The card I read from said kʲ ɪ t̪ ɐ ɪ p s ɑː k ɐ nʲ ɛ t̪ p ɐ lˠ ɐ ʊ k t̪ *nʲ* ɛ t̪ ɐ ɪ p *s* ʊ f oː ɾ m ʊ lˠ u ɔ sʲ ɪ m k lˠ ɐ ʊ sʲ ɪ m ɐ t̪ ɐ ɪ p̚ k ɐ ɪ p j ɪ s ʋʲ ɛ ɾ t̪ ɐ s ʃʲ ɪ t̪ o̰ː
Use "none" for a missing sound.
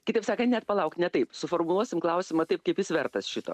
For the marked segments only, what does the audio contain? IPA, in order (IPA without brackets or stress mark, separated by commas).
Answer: nʲ, s